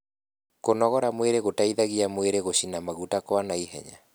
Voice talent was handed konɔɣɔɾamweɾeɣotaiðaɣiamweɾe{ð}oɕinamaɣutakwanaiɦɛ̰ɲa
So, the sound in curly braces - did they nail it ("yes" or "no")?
no